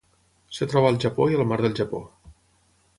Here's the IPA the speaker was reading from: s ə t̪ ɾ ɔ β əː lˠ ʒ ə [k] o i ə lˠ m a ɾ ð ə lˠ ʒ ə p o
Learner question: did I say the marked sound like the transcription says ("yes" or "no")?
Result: no